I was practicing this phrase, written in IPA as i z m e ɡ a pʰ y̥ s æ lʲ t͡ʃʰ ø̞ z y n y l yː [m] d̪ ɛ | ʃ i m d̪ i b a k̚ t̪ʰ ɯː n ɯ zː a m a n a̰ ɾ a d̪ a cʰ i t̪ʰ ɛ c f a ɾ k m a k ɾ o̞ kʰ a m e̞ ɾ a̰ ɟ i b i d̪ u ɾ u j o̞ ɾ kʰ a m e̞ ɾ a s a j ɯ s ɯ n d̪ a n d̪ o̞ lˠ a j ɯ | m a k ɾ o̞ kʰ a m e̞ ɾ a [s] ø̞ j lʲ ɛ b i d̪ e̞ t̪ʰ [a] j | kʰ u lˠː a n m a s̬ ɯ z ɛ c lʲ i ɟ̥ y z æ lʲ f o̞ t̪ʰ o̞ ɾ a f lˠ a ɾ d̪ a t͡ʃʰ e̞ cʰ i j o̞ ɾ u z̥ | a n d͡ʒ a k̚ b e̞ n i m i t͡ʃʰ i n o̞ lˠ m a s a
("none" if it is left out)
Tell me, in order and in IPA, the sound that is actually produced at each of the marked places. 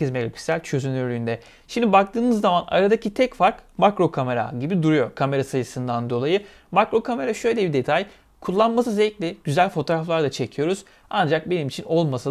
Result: n, ʃ, a

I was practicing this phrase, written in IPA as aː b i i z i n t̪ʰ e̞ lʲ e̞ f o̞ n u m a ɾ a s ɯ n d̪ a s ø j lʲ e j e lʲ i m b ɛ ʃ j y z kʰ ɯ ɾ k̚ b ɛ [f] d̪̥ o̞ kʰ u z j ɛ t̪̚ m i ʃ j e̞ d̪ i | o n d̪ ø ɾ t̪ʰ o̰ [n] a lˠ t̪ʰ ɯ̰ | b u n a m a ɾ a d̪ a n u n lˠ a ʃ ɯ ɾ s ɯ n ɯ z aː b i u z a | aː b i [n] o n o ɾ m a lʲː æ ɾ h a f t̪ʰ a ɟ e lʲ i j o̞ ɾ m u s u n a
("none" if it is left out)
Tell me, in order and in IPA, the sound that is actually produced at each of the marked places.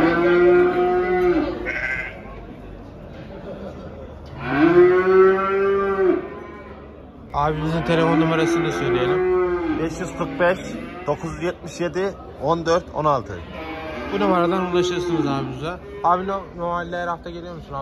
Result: ʃ, n, n

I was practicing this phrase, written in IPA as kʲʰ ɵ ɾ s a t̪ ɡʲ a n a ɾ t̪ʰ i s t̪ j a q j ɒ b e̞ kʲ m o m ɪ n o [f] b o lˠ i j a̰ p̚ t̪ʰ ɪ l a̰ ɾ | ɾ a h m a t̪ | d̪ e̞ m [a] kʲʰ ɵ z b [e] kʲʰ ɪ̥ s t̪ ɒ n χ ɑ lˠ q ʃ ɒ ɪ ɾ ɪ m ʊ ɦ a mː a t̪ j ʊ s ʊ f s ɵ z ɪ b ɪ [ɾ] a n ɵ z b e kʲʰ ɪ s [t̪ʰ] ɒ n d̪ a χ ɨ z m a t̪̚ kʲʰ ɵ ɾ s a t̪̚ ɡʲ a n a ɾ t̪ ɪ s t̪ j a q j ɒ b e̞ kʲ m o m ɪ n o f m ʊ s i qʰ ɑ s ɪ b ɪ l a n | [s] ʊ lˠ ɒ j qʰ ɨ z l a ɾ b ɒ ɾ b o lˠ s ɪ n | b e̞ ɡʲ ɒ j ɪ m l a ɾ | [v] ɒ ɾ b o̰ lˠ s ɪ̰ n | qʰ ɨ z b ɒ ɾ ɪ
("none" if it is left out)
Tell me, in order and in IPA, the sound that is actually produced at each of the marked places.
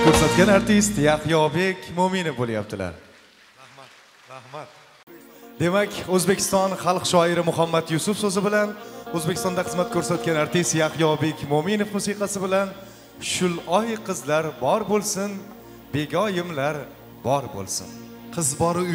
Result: f, a, e, l, t̪, ʃ, b

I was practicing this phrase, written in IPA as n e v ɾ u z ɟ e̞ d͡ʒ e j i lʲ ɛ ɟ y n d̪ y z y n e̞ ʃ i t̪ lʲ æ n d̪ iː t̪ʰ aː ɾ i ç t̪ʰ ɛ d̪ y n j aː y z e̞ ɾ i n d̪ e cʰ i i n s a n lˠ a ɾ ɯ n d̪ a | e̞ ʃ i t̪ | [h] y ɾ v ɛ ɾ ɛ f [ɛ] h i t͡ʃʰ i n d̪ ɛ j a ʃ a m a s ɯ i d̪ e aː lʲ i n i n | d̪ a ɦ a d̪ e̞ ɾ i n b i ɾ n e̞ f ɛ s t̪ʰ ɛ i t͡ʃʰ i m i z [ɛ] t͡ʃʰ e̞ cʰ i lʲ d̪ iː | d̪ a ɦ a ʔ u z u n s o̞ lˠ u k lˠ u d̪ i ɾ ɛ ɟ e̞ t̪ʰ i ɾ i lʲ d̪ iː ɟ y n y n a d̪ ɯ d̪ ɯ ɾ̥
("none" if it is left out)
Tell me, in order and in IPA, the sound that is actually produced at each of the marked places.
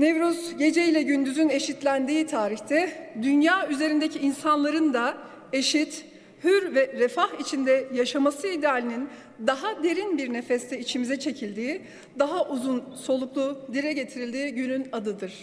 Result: h, a, ɛ

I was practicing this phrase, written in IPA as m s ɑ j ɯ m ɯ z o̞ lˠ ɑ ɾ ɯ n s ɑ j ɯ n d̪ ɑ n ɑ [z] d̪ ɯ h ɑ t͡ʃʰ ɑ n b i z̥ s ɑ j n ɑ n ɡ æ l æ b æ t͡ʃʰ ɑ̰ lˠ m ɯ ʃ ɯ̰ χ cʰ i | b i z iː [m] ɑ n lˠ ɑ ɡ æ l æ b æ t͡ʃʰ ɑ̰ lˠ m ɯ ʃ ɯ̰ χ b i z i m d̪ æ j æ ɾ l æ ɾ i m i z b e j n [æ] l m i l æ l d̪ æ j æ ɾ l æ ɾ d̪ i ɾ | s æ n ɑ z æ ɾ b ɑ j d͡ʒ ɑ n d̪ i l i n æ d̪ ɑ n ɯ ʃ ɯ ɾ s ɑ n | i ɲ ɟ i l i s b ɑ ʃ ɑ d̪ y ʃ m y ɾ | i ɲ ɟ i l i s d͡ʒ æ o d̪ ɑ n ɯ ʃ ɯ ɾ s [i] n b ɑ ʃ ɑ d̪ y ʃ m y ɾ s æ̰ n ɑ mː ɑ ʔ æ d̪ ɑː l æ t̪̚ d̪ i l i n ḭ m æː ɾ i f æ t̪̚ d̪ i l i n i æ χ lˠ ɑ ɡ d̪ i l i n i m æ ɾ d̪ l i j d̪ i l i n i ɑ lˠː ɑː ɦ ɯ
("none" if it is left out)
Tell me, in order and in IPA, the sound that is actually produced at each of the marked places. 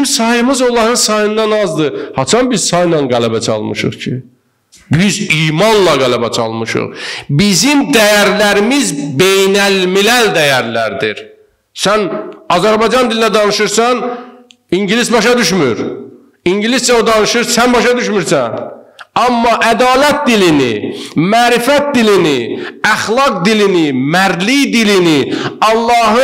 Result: z, m, æ, æ

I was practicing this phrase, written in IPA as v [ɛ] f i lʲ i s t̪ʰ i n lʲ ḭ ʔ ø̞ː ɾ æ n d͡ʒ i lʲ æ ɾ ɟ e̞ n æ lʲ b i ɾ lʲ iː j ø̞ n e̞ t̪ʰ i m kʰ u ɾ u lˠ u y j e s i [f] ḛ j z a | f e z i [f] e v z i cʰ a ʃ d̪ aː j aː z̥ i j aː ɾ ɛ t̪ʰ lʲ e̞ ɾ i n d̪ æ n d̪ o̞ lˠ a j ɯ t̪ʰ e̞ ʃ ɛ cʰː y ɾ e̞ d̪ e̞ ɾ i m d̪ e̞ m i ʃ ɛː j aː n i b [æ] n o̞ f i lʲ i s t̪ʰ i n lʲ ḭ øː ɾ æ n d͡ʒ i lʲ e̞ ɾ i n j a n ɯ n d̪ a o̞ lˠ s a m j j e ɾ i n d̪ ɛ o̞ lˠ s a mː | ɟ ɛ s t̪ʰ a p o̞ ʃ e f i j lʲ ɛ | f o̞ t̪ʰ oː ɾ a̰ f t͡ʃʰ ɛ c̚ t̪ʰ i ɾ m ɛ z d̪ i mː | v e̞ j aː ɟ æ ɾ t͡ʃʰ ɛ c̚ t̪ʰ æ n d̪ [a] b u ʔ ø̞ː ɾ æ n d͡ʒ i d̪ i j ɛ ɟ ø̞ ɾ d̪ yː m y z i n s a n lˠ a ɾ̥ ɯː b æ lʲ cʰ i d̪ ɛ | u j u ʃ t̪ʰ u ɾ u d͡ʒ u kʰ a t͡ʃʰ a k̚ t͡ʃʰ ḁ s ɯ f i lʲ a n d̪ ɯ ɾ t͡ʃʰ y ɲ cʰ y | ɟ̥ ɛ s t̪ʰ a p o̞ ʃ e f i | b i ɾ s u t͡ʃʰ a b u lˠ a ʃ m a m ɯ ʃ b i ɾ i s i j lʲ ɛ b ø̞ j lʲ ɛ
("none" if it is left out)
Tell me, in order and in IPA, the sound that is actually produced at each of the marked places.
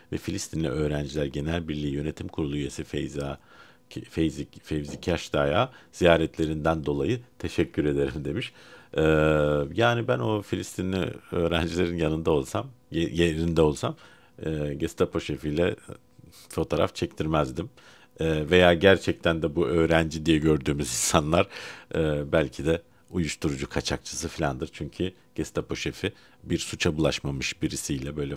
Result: ɛ, f, f, æ, ɛ

